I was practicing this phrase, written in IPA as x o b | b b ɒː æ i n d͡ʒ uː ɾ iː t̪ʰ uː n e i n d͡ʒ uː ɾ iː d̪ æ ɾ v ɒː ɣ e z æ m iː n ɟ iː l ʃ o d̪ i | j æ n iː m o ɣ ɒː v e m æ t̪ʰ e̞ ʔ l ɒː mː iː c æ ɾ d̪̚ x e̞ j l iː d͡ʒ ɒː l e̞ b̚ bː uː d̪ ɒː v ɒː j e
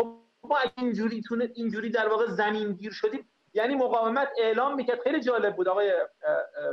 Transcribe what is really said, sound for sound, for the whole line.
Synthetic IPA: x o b | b m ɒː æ i n d͡ʒ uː ɾ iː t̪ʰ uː n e i n d͡ʒ uː ɾ iː d̪ æ ɾ v ɒː ɣ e z æ m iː n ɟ iː ɾ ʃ o d̪ iː | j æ n iː m o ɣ ɒː v e m æ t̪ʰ e̞ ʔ l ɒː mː iː c æ ɾ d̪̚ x e̞ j l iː d͡ʒ ɒː l e̞ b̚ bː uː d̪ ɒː ɣ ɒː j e